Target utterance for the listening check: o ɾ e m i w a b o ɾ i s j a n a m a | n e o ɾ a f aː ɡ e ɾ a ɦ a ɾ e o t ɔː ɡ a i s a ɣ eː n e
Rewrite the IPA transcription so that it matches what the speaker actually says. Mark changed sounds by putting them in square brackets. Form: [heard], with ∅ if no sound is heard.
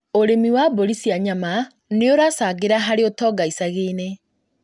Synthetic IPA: o ɾ e m i w a b o ɾ i s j a [ɲ] a m a | n e o ɾ a [s] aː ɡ e ɾ a ɦ a ɾ e o t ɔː ɡ a i s a ɣ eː n e